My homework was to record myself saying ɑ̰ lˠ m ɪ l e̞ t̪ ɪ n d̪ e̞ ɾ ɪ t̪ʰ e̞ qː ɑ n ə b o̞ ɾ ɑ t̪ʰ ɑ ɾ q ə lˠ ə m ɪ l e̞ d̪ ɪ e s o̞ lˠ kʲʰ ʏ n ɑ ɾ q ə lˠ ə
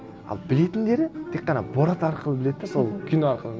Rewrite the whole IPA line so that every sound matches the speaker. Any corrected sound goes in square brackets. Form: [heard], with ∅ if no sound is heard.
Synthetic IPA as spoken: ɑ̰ lˠ [b] ɪ l e̞ t̪ ɪ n d̪ e̞ ɾ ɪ t̪ʰ e̞ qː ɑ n [ɑ] b o̞ ɾ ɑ [t̪] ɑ ɾ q ə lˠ ə [b] ɪ l e̞ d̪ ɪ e s o̞ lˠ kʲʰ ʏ n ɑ ɾ q ə lˠ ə